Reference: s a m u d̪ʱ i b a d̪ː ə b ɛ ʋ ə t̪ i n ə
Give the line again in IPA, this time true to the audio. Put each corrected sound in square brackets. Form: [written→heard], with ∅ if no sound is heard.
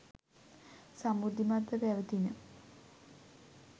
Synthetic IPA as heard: s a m u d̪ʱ i [b→m] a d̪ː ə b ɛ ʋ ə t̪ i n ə